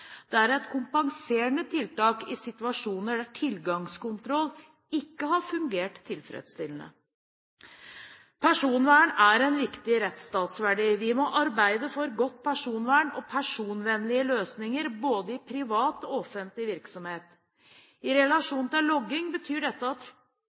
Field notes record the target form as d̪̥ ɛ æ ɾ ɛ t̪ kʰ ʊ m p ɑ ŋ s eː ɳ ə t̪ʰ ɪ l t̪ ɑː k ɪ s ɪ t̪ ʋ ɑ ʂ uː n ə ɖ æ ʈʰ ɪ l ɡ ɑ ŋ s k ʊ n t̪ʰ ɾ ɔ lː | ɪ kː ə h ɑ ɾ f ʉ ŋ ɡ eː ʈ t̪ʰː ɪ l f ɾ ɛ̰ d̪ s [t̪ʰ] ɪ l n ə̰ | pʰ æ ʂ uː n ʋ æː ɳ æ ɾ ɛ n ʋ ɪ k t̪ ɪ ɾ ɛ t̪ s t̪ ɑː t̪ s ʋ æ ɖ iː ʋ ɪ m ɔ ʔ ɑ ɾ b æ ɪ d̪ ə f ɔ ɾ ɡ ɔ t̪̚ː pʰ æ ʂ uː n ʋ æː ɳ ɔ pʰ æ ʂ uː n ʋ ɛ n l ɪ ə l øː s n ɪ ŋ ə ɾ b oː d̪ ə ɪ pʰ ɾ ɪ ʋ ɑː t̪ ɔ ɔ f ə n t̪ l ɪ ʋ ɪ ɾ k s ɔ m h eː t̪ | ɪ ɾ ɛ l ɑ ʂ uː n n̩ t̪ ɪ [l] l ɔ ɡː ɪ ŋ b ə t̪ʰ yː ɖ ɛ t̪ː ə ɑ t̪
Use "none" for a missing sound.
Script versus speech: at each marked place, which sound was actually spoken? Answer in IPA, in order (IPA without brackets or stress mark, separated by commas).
t̪, l